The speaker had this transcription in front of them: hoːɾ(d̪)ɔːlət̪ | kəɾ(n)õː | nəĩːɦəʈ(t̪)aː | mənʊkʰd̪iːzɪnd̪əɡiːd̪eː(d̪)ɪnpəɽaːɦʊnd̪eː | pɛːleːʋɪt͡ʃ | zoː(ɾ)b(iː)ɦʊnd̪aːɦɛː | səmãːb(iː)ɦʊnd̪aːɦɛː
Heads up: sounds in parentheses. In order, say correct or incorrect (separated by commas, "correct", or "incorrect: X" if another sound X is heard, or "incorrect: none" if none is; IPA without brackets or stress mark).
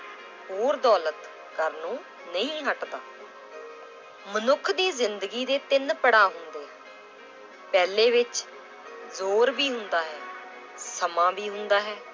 correct, correct, incorrect: d̪, incorrect: t̪, correct, correct, correct